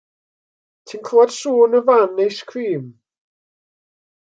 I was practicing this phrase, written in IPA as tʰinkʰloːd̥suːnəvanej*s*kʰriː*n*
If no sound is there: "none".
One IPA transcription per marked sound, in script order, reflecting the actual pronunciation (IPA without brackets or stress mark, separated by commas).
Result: s, m